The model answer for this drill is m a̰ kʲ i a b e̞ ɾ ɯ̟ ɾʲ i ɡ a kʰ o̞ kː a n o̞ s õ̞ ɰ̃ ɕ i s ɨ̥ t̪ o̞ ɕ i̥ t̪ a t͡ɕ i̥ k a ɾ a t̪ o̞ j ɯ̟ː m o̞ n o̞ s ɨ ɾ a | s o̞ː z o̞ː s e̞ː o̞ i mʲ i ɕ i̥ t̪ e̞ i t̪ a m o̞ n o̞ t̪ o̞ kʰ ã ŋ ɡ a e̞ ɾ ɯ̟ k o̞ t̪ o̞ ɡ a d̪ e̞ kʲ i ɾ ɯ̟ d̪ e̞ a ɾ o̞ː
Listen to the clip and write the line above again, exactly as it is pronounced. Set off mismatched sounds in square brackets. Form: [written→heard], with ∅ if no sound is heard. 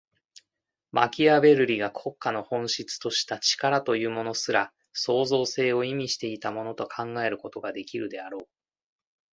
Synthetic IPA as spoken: m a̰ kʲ i a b e̞ ɾ ɯ̟ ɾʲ i ɡ a kʰ o̞ kː a n o̞ [s→h] õ̞ ɰ̃ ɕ i [s→t͡s] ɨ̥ t̪ o̞ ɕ i̥ t̪ a t͡ɕ i̥ k a ɾ a t̪ o̞ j ɯ̟ː m o̞ n o̞ s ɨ ɾ a | s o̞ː z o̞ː s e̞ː o̞ i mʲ i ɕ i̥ t̪ e̞ i t̪ a m o̞ n o̞ t̪ o̞ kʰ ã ŋ ɡ a e̞ ɾ ɯ̟ k o̞ t̪ o̞ ɡ a d̪ e̞ kʲ i ɾ ɯ̟ d̪ e̞ a ɾ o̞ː